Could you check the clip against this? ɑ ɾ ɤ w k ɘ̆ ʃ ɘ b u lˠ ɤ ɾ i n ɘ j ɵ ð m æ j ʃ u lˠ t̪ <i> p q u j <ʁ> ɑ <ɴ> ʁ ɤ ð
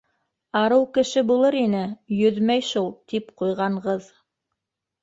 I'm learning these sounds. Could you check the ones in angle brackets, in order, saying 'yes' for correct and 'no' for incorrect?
yes, yes, yes

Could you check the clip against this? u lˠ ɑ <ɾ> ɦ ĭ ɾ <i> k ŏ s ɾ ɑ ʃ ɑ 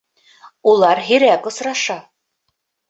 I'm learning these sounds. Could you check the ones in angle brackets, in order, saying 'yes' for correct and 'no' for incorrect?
yes, no

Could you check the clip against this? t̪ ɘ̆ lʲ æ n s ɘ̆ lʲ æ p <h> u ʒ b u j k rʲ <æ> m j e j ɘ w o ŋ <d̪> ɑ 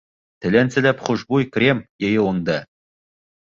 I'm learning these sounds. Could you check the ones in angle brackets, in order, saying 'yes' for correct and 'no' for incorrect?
no, no, yes

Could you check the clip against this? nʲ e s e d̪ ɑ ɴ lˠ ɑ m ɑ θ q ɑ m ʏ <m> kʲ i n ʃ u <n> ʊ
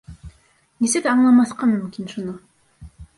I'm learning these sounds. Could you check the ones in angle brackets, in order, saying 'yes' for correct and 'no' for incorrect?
yes, yes

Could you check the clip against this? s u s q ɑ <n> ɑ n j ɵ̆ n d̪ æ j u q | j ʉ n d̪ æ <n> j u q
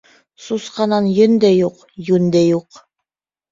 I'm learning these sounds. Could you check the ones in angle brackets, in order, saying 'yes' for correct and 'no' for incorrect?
yes, no

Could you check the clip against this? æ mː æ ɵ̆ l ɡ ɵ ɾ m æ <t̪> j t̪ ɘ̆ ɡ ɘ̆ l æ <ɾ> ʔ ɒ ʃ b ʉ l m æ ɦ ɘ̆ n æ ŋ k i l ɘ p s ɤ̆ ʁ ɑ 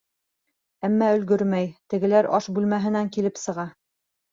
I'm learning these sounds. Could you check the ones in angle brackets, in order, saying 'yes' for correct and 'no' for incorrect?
no, yes

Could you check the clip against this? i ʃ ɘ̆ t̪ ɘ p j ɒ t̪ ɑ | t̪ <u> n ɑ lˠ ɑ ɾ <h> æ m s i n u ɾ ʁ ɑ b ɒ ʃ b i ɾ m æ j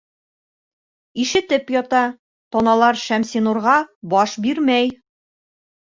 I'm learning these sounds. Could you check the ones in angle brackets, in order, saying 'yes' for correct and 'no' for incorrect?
no, no

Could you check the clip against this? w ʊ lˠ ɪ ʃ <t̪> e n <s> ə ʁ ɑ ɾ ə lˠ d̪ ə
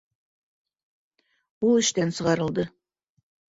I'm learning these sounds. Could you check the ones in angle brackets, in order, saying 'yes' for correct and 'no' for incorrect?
yes, yes

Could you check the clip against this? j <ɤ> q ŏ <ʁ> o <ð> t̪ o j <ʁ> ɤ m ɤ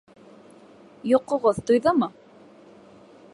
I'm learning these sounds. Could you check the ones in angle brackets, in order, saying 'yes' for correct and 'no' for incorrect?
no, yes, yes, no

